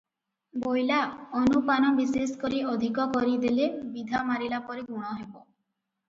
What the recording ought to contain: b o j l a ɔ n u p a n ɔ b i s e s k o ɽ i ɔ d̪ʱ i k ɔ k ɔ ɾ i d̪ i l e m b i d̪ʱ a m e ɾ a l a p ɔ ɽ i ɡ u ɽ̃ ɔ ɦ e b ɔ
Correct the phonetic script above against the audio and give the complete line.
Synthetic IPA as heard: b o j l a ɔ n u p a n ɔ b i s e s k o ɾ i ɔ d̪ʱ i k ɔ k ɔ ɾ i d̪ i l e b i d̪ʱ a m a ɾ i l a p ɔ ɾ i ɡ u ɽ̃ ɔ ɦ e b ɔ